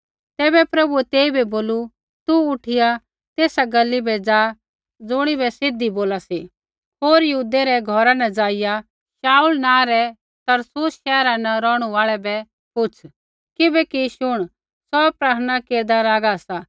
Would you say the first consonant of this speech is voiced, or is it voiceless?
voiceless